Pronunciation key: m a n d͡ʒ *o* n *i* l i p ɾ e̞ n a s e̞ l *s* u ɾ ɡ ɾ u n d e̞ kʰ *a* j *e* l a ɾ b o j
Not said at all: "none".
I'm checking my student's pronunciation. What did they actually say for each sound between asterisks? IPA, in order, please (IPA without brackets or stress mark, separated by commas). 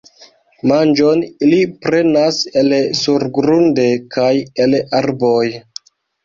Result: o, i, s, a, e